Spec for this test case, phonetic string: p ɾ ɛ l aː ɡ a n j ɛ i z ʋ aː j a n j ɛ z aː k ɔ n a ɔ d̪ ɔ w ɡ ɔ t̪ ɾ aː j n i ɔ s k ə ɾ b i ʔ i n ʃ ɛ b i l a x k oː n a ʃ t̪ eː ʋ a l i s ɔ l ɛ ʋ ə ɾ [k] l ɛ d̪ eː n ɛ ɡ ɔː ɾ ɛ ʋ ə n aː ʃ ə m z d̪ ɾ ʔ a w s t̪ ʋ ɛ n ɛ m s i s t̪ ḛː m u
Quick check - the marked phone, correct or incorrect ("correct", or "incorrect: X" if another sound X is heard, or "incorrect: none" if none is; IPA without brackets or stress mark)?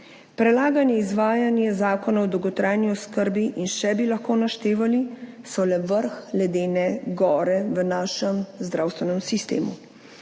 incorrect: x